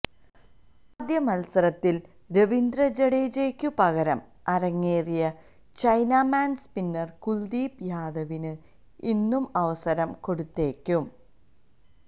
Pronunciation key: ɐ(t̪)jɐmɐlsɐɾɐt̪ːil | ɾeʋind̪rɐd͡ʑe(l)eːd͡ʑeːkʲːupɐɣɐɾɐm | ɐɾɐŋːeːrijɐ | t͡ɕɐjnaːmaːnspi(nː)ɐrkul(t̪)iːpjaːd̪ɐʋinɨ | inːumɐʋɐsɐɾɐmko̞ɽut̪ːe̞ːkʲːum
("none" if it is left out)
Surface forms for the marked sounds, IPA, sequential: d̪, ɽ, nː, d̪

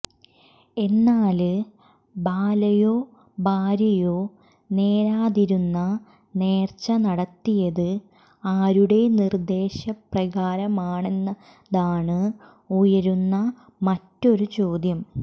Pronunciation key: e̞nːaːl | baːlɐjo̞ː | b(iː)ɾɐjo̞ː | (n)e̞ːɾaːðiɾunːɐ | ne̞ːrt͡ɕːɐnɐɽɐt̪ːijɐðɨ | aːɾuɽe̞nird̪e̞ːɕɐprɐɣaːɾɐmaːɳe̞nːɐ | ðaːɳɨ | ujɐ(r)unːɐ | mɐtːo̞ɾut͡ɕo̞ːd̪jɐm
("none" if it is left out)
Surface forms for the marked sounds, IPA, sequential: aː, n, ɾ

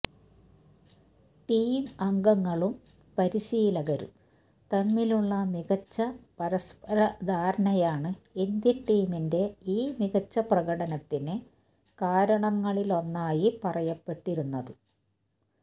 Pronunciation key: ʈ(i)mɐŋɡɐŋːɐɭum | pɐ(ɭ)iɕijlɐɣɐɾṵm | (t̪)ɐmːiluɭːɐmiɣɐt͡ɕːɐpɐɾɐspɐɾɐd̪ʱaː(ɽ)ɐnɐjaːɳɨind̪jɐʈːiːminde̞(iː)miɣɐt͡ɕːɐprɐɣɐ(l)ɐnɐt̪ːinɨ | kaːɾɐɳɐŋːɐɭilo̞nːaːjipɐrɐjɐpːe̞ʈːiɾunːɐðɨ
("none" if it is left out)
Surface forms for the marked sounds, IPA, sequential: iː, ɾ, t̪, ɾ, iː, ɽ

